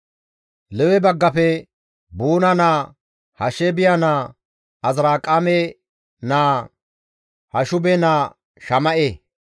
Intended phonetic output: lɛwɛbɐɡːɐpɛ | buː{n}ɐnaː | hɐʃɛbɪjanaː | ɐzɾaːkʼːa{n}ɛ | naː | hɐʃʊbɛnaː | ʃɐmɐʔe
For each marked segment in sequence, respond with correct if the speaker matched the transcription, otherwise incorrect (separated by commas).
correct, incorrect